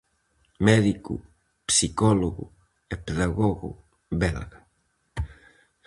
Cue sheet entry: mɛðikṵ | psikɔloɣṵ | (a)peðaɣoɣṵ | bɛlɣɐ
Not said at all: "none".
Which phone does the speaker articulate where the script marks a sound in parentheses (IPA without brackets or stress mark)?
e